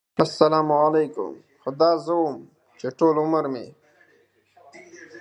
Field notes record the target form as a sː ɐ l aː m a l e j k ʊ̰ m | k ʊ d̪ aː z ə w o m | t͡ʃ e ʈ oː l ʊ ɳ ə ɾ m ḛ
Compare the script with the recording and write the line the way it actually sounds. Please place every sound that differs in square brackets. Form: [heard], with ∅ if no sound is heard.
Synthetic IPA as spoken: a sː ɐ l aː m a l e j k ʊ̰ m | [x] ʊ d̪ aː z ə w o m | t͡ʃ e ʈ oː l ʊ [m] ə ɾ m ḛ